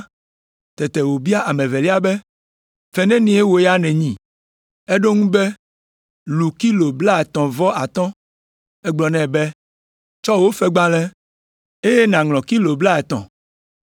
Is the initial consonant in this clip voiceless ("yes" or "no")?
yes